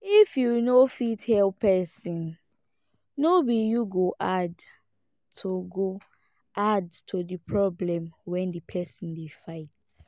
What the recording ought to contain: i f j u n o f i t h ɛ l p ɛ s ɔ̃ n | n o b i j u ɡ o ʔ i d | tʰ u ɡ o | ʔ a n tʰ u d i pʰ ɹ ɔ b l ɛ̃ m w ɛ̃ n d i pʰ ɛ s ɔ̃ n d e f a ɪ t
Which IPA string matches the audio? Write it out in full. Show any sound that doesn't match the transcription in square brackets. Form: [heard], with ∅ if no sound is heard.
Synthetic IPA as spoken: i f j u n o f i t h ɛ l p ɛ s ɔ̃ n | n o b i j u ɡ o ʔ [a] d | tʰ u ɡ o | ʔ a [d] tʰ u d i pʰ ɹ ɔ b l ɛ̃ m w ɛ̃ n d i pʰ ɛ s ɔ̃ n d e f a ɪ t

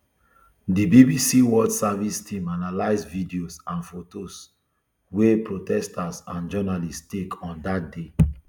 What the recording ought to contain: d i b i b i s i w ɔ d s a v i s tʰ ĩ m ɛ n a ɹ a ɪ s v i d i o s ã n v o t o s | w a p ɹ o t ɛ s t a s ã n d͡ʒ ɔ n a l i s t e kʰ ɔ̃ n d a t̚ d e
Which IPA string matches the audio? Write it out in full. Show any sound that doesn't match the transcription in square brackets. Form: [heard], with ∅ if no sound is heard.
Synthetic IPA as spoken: d i b i b i s i w ɔ d s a v i s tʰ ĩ m [a] n a [l] a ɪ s v i d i o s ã n [f] o t o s | w [e] p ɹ o t ɛ s t a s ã n d͡ʒ ɔ n a l i s t e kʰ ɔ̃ n d a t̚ d e

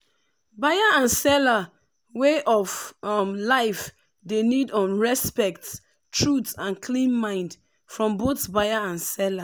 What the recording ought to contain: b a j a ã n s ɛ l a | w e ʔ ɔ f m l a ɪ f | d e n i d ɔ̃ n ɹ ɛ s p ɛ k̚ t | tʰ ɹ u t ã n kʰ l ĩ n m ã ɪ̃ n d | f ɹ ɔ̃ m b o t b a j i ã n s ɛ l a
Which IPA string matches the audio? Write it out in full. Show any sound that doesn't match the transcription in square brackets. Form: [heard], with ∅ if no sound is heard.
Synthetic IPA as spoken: b a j a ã n s ɛ l a | w e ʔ ɔ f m l a ɪ f | d e n i d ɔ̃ n ɹ ɛ s p ɛ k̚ t | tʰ ɹ u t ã n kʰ l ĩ n m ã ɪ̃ n d | f ɹ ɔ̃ m b o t b a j [a] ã n s ɛ l a

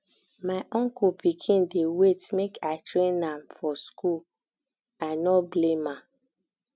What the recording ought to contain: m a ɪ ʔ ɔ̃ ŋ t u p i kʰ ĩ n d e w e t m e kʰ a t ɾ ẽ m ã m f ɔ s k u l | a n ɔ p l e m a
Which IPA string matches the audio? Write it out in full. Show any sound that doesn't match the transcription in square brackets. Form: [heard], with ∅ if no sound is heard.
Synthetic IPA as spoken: m a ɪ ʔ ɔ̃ ŋ [k] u p i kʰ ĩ n d e w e t m e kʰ a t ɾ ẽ [n] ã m f ɔ s k u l | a n ɔ [b] l e m a

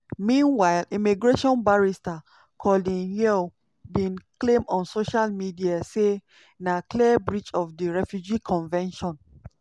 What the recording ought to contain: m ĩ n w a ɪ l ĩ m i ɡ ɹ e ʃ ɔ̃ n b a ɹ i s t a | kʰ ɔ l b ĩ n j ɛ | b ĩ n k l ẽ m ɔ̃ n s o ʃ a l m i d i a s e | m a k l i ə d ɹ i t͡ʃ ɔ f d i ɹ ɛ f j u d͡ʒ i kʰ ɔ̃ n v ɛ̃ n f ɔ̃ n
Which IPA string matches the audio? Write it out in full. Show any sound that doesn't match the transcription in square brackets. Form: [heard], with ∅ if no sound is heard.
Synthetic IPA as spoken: m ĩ n w a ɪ l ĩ m i ɡ ɹ e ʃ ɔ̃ n b a ɹ i s t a | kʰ ɔ l [d] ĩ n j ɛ | b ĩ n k l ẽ m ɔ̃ n s o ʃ a l m i d i a s e | [n] a k l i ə [b] ɹ i t͡ʃ ɔ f d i ɹ ɛ f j u d͡ʒ i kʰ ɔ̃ n v ɛ̃ n [ʃ] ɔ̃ n

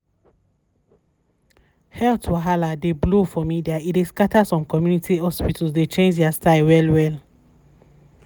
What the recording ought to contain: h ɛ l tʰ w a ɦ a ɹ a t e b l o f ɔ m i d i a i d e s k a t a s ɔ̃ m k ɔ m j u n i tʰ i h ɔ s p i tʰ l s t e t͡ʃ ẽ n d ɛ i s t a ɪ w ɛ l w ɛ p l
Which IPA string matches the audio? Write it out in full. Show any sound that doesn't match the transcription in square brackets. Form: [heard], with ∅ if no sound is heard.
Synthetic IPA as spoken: h ɛ l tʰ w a ɦ a [l] a [d] e b l o f ɔ m i d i a i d e s k a t a s ɔ̃ m k ɔ m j u n i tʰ i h ɔ s p i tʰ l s [d] e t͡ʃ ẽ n [d͡ʒ] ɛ [a] s t a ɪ w ɛ l w ɛ [∅] l

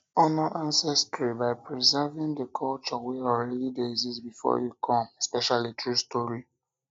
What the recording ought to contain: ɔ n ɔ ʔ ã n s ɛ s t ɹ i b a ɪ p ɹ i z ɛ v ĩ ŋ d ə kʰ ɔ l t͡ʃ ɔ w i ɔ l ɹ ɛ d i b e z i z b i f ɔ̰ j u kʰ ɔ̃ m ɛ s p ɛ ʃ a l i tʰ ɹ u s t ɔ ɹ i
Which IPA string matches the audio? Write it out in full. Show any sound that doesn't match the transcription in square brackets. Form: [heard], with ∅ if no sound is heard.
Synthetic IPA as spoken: ɔ n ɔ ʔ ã n s ɛ s t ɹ i b a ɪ p ɹ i z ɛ v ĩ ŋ d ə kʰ ɔ l t͡ʃ ɔ w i ɔ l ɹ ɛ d i [d] e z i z b i f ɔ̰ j u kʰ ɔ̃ m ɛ s p ɛ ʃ a l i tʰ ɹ u s t ɔ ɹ i

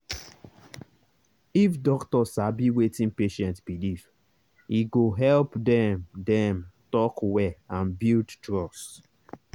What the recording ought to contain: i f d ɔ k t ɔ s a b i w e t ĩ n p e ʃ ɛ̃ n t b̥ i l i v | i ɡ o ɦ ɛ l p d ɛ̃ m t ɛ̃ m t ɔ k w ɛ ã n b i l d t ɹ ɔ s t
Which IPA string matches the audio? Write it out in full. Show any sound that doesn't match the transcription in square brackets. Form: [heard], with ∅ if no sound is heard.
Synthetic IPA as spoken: i f d ɔ k t ɔ s a b i w e t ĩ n p e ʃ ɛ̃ n t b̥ i l i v | i ɡ o ɦ ɛ l p d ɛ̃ m [d] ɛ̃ m t ɔ k w ɛ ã n b i l d t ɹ ɔ s t

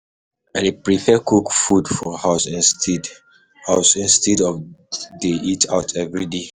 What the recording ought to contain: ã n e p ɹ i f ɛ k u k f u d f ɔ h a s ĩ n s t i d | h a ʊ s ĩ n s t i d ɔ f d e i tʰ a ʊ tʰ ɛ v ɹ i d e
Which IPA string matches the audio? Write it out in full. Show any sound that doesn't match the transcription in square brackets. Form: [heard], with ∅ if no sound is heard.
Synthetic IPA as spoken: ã n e p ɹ i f ɛ k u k f u d f ɔ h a s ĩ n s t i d | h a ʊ s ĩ n s t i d ɔ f d e i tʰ a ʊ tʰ ɛ v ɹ i d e

